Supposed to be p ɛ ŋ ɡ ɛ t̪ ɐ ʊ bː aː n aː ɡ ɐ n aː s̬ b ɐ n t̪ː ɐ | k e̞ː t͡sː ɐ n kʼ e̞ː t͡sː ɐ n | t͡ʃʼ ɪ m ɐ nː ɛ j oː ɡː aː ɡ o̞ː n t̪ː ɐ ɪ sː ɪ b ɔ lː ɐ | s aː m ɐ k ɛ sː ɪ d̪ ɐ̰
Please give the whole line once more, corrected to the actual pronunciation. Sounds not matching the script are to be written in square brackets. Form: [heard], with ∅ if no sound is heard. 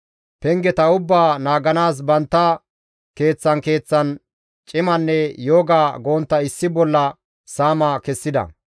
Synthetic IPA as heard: p ɛ ŋ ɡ ɛ t̪ ɐ ʊ bː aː n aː ɡ ɐ n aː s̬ b ɐ n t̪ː ɐ | k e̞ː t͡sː ɐ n [k] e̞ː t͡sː ɐ n | t͡ʃʼ ɪ m ɐ nː ɛ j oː [ɡ] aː ɡ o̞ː n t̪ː ɐ ɪ sː ɪ b ɔ lː ɐ | s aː m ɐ k ɛ sː ɪ d̪ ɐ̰